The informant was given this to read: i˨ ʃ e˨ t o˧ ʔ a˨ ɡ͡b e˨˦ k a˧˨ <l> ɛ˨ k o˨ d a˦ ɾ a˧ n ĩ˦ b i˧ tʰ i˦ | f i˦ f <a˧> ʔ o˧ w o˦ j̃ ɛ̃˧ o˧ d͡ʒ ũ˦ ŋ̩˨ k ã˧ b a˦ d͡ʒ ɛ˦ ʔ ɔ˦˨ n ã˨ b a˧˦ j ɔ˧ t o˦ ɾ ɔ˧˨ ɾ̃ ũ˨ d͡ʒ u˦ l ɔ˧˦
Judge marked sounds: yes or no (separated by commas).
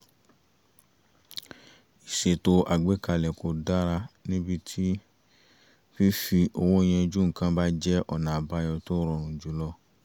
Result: yes, no